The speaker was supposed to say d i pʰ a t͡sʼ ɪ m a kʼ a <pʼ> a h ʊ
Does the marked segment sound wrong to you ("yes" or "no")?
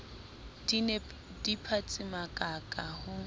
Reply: yes